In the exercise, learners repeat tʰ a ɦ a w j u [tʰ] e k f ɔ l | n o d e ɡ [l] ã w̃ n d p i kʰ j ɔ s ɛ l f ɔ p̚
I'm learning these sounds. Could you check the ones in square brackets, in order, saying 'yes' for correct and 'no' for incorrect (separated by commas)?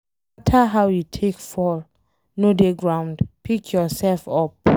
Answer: yes, no